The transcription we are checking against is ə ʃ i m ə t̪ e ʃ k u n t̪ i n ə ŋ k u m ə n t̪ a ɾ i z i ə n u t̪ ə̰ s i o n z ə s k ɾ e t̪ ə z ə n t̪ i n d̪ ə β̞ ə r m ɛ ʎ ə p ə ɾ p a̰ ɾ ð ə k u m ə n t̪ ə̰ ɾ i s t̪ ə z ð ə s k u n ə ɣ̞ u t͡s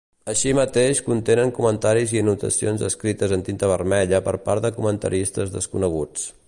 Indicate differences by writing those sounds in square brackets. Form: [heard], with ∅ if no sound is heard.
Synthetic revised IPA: ə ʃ i m ə t̪ e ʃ k u n t̪ [e] n ə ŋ k u m ə n t̪ a ɾ i z i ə n u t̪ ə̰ s i o n z ə s k ɾ [i] t̪ ə z ə n t̪ i n [t̪] ə β̞ ə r m ɛ ʎ ə p ə ɾ p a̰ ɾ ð ə k u m ə n t̪ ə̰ ɾ i s t̪ ə z ð ə s k u n ə ɣ̞ u t͡s